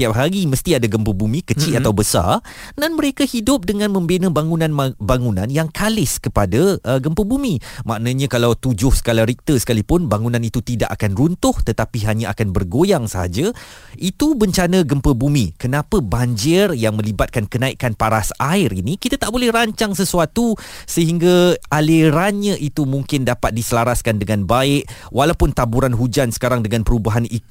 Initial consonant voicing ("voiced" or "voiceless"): voiceless